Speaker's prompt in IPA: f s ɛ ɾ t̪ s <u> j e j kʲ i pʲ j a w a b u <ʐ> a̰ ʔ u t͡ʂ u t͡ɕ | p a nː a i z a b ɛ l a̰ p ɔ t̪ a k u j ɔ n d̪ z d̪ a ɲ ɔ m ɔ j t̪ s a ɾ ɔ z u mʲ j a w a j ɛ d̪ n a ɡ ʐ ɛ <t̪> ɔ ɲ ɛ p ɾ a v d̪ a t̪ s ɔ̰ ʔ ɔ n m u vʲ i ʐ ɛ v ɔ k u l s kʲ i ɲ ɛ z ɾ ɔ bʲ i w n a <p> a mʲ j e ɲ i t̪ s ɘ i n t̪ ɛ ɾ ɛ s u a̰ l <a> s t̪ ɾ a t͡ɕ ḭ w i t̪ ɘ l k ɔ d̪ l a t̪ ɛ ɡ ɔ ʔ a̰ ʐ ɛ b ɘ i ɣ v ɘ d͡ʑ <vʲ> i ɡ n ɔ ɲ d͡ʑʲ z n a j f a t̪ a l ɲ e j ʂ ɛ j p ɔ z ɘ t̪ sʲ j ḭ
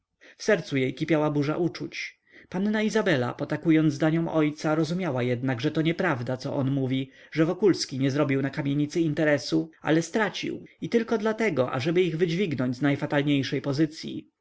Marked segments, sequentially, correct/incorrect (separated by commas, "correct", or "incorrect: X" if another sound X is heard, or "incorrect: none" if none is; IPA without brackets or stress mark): correct, correct, correct, incorrect: k, incorrect: ɛ, correct